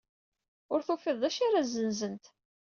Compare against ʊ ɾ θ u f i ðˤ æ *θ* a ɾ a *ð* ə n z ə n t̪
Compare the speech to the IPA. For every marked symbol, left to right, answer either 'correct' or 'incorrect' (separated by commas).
incorrect, incorrect